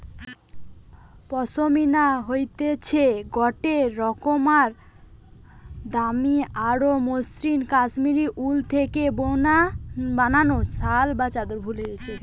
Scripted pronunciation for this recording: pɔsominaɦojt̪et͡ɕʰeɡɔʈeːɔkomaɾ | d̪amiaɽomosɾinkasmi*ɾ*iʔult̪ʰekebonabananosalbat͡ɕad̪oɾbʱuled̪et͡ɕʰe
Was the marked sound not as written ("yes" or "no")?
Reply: no